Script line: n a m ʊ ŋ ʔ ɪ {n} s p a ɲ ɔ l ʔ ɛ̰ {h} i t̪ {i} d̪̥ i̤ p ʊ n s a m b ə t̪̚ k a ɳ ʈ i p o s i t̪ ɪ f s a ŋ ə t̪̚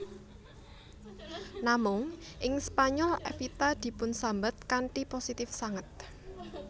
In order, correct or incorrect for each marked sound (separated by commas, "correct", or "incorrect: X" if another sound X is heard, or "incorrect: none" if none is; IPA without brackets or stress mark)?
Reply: incorrect: ŋ, incorrect: f, incorrect: a